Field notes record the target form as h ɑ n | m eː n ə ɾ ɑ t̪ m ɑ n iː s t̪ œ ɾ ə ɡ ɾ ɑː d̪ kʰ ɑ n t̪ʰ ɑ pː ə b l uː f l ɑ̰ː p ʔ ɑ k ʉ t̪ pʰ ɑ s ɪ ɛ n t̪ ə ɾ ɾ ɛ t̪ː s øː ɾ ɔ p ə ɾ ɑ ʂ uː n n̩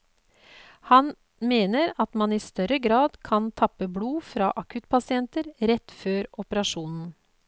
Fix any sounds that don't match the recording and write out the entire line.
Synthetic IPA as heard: h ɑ n | m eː n ə ɾ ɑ t̪ m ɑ n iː s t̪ œ ɾ ə ɡ ɾ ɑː d̪ kʰ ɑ n t̪ʰ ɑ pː ə b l uː f ɾ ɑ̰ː ʔ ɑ k ʉ t̪ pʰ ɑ s ɪ ɛ n t̪ ə ɾ ɾ ɛ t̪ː f øː ɾ ɔ p ə ɾ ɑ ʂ uː n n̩